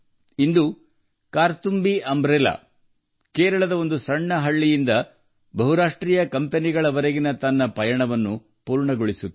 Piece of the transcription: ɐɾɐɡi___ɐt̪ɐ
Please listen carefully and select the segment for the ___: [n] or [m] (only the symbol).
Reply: n